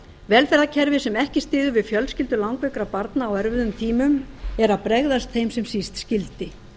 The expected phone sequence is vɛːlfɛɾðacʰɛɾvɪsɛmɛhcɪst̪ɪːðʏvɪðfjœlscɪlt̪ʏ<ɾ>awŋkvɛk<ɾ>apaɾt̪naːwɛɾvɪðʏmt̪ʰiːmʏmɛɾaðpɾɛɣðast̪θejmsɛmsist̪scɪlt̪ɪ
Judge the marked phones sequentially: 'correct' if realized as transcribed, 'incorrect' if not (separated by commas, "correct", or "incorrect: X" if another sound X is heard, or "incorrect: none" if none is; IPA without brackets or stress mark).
incorrect: l, correct